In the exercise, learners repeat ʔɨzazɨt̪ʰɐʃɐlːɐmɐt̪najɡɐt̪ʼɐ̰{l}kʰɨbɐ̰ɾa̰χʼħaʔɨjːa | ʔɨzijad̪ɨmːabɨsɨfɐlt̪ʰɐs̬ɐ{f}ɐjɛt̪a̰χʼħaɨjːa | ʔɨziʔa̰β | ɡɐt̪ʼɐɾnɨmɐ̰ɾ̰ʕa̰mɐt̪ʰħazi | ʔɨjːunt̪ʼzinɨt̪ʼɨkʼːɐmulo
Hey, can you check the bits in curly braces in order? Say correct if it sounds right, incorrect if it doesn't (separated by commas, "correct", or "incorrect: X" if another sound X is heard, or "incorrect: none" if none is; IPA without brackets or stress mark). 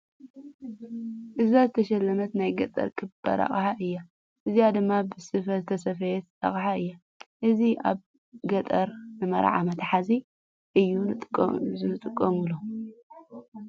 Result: incorrect: ɾ, correct